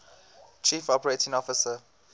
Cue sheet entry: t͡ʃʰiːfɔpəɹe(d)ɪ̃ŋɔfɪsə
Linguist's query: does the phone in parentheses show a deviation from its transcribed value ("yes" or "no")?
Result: yes